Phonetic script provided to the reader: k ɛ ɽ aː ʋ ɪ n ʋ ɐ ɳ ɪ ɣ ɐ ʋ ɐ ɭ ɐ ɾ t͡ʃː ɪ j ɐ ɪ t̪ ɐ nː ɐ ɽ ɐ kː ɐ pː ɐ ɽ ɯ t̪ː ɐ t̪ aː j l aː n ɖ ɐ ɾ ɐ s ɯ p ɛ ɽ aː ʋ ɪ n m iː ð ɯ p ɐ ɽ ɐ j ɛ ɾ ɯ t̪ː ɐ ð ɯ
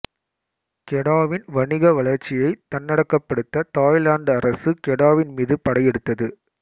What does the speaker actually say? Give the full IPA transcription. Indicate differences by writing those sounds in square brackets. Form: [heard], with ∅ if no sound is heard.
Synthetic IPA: k ɛ ɽ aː ʋ ɪ n ʋ ɐ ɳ ɪ ɣ ɐ ʋ ɐ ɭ ɐ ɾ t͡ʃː ɪ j ɐ ɪ t̪ ɐ nː ɐ ɽ ɐ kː ɐ pː ɐ ɽ ɯ t̪ː ɐ t̪ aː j l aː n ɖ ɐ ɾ ɐ s ɯ [k] ɛ ɽ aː ʋ ɪ n m iː ð ɯ p ɐ ɽ ɐ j ɛ [ɽ] ɯ t̪ː ɐ ð ɯ

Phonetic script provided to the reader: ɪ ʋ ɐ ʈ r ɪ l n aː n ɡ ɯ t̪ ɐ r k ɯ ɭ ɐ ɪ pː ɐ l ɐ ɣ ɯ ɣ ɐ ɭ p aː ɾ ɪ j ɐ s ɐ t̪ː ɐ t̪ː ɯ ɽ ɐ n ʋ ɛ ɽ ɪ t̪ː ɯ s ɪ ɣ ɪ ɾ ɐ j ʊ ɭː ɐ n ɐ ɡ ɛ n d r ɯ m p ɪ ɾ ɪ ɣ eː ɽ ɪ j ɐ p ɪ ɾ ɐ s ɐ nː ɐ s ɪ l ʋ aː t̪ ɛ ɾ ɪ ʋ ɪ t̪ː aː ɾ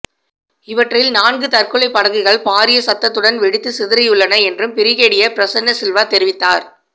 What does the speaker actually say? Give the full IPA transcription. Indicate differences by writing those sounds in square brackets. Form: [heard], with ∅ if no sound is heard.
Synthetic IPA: ɪ ʋ ɐ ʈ r ɪ l n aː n ɡ ɯ t̪ ɐ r k ɯ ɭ ɐ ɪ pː ɐ [ɽ] ɐ ɣ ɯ ɣ ɐ ɭ p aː ɾ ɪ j ɐ s ɐ t̪ː ɐ t̪ː ɯ ɽ ɐ n ʋ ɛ ɽ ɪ t̪ː ɯ s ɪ [ð] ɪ ɾ ɐ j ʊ ɭː ɐ n ɐ [∅] ɛ n d r ɯ m p ɪ ɾ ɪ ɣ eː ɽ ɪ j ɐ p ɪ ɾ ɐ s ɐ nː ɐ s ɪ l ʋ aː t̪ ɛ ɾ ɪ ʋ ɪ t̪ː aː ɾ

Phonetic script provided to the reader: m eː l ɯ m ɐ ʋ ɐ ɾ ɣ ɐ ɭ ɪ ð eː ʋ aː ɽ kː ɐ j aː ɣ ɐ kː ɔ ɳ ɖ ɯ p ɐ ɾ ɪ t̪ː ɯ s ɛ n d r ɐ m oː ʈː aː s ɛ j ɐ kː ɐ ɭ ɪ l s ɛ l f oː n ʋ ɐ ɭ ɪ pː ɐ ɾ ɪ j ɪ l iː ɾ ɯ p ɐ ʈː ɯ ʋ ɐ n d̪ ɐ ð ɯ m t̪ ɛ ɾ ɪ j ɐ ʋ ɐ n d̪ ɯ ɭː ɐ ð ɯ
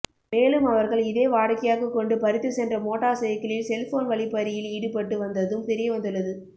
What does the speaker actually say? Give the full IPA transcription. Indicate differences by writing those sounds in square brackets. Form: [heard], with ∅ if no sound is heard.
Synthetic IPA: m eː l ɯ m ɐ ʋ ɐ ɾ ɣ ɐ ɭ ɪ ð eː ʋ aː ɽ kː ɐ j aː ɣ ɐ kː ɔ ɳ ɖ ɯ p ɐ ɾ ɪ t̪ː ɯ s ɛ n d r ɐ m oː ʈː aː s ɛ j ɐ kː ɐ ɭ ɪ l s ɛ l f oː n ʋ ɐ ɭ ɪ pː ɐ ɾ ɪ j ɪ l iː [ɽ] ɯ p ɐ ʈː ɯ ʋ ɐ n d̪ ɐ ð ɯ m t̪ ɛ ɾ ɪ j ɐ ʋ ɐ n d̪ ɯ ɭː ɐ ð ɯ

